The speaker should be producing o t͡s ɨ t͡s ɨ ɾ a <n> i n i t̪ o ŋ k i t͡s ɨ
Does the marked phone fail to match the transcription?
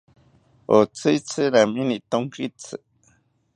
yes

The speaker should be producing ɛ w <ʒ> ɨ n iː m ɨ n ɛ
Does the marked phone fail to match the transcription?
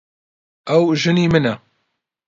no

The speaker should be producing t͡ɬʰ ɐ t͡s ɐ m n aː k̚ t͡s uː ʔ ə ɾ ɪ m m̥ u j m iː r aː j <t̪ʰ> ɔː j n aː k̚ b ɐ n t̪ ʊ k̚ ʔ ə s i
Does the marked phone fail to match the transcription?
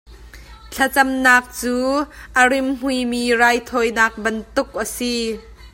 no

